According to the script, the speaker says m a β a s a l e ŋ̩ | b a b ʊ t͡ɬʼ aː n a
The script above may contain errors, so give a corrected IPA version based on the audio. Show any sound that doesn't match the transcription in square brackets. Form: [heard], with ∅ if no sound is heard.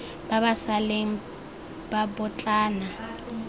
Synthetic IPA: [b] a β a s a l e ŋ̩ | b a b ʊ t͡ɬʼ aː n a